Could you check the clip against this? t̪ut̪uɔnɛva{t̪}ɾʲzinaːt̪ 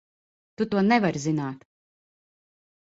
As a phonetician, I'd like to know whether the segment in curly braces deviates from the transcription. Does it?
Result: yes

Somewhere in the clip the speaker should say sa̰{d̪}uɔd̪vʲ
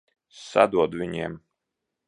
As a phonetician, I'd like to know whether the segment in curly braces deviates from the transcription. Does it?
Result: no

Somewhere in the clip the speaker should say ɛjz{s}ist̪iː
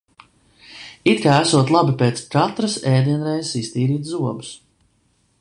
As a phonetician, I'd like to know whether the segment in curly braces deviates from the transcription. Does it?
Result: no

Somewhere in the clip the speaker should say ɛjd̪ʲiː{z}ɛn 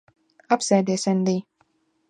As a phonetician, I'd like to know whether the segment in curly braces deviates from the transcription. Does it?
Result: yes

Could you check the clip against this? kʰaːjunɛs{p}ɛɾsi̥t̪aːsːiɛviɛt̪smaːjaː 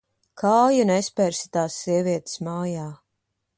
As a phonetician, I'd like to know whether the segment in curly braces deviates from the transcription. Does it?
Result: no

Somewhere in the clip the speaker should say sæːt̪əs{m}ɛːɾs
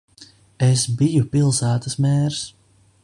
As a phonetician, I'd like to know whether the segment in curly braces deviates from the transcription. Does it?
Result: no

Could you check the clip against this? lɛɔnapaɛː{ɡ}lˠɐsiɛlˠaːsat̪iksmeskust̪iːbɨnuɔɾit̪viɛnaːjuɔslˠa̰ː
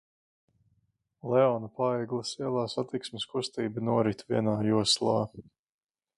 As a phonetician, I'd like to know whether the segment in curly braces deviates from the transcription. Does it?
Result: no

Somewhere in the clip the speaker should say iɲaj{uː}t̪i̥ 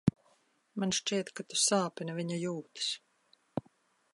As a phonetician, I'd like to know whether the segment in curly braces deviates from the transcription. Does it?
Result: no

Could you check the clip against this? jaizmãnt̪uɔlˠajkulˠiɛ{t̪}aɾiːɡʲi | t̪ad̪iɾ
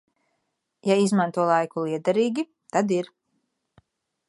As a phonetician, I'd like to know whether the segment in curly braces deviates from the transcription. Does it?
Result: yes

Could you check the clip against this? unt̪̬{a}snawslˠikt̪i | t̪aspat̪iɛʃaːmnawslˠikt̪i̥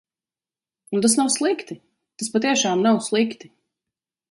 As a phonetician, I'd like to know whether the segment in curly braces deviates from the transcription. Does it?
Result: no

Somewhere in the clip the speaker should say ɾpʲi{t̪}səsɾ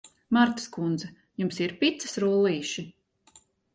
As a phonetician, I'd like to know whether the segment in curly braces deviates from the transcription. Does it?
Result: no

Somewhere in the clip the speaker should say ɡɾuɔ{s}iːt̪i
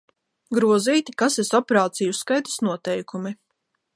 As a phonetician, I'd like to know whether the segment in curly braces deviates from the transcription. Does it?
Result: yes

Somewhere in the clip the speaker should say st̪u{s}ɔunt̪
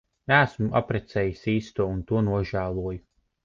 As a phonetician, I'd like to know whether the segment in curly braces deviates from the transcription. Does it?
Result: yes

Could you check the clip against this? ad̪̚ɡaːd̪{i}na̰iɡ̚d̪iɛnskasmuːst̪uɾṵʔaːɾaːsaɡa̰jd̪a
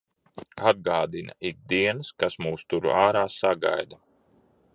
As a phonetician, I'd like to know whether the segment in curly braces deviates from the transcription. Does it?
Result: no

